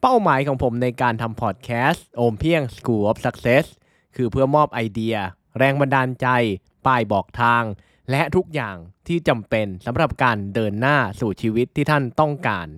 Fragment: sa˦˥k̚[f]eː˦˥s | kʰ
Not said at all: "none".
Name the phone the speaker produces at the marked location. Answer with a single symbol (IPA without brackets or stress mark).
s